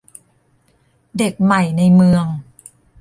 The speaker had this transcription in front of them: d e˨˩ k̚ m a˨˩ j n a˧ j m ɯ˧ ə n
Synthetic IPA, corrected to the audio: d e˨˩ k̚ m a˨˩ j n a˧ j m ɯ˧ ə ŋ